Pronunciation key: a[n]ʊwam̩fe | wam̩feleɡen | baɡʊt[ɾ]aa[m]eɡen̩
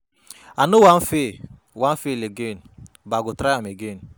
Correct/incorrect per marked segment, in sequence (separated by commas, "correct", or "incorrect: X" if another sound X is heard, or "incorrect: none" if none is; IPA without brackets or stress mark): correct, correct, correct